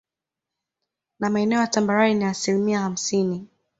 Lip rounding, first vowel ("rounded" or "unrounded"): unrounded